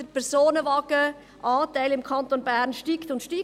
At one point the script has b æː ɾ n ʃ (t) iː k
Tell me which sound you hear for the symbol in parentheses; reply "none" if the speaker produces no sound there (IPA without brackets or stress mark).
t